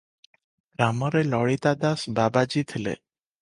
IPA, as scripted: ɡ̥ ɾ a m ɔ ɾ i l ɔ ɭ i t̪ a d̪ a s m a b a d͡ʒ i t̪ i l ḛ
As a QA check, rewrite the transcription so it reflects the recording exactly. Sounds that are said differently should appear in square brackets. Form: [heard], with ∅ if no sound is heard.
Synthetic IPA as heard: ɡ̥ ɾ a m ɔ ɾ [e] l ɔ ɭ i t̪ a d̪ a s [b] a b a d͡ʒ i [t̪ʰ] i l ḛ